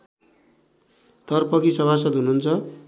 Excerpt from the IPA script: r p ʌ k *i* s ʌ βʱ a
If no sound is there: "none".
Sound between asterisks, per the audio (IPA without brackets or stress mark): i